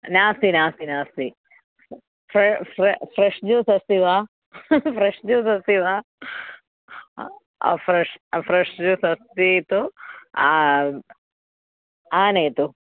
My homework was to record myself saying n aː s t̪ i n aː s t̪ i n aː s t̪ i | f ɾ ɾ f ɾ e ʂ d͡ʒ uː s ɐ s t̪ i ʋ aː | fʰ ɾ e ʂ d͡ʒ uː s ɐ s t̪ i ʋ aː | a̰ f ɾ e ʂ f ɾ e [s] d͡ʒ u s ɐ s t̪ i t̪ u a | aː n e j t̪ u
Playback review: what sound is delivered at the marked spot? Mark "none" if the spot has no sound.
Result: ʂ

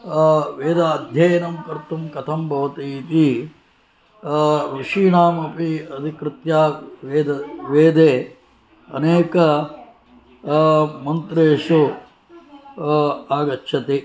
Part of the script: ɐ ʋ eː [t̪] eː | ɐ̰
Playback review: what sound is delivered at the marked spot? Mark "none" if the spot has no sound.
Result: d̪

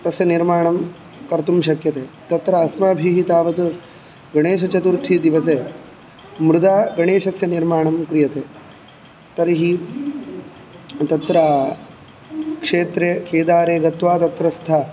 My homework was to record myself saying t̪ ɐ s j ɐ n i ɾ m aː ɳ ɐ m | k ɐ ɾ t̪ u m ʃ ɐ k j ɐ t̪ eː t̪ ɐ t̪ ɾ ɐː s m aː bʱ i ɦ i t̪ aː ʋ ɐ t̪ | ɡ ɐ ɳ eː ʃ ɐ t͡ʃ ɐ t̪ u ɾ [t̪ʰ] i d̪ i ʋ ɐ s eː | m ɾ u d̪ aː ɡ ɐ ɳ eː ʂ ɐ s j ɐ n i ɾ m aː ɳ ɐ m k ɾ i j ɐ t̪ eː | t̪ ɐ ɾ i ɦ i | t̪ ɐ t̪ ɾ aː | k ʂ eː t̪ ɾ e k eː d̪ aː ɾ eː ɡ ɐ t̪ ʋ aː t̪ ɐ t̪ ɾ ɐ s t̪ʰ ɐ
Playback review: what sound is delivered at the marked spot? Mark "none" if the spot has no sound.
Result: t̪ʰ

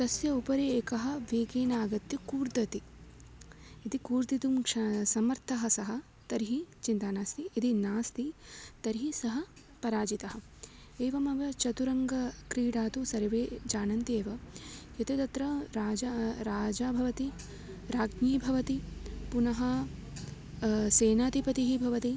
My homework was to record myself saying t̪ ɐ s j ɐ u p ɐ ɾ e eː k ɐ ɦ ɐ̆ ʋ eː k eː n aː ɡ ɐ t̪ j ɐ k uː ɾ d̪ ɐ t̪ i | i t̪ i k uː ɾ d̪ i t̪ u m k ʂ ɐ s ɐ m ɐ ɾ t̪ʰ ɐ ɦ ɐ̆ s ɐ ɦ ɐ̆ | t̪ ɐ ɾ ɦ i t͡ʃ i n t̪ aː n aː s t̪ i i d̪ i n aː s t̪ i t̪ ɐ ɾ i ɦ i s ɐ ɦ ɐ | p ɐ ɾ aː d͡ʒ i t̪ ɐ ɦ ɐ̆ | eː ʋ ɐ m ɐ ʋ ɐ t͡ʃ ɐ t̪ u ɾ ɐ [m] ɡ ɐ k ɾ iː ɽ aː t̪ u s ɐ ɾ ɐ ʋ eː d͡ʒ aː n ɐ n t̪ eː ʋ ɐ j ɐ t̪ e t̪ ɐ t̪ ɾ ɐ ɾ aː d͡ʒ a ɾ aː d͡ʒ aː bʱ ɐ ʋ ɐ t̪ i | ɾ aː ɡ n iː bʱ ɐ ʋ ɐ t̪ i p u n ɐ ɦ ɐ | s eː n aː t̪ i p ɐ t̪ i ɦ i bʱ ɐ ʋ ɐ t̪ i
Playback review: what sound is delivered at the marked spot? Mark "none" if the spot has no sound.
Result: ŋ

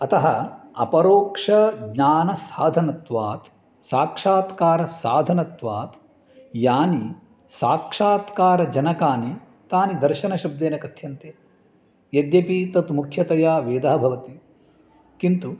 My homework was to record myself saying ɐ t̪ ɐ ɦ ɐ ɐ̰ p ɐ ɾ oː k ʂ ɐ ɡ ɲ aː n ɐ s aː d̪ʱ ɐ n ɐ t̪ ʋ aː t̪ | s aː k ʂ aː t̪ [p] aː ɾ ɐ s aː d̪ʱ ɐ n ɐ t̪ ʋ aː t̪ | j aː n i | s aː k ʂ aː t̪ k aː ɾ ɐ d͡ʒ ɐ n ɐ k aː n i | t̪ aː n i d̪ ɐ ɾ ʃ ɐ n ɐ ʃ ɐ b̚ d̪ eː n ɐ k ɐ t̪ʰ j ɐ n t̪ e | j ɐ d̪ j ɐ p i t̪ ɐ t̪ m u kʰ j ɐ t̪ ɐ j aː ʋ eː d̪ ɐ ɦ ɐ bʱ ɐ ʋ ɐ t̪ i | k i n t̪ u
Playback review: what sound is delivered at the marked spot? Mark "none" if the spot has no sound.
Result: k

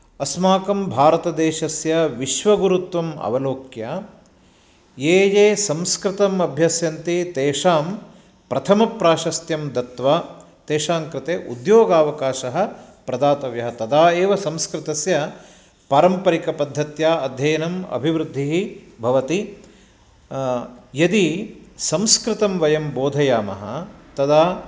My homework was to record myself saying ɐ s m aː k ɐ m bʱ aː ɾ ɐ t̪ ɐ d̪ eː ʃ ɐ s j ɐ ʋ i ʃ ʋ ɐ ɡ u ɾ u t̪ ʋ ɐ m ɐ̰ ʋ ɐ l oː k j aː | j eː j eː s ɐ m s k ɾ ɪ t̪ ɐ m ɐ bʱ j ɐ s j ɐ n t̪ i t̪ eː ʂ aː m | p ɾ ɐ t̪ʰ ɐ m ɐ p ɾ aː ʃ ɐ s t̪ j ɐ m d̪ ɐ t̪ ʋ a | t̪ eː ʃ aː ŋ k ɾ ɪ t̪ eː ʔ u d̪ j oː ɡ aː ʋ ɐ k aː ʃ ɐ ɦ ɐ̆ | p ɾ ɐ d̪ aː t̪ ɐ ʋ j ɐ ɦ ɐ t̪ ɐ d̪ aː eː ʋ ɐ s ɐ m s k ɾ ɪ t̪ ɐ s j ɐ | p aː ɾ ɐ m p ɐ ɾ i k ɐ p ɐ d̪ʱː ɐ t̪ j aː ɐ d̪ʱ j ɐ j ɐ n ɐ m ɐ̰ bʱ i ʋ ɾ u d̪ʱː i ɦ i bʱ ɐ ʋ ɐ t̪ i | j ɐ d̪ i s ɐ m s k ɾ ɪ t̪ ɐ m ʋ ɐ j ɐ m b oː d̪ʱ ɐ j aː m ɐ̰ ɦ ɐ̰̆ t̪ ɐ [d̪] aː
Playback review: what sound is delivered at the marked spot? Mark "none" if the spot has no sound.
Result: d̪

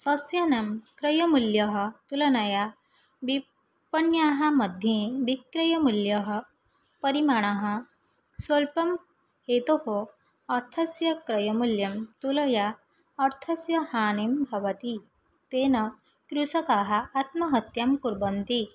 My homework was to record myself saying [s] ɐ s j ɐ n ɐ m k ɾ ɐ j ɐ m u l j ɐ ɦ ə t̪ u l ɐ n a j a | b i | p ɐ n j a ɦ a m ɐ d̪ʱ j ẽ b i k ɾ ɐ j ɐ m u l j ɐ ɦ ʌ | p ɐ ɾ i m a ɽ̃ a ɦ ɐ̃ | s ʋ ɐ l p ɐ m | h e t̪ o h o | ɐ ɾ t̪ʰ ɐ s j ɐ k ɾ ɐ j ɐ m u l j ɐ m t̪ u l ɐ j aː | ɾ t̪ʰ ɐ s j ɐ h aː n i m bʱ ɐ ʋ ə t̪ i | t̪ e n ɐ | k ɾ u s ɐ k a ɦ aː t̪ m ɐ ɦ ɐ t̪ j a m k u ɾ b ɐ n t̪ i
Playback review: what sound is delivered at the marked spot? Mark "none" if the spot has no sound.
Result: s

